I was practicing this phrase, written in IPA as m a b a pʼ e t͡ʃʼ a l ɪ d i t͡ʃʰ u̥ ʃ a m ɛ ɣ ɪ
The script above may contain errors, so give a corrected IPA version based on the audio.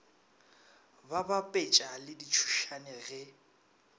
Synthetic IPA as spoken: b a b a pʼ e t͡ʃʼ a l ɪ d i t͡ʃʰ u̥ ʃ a n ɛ ɣ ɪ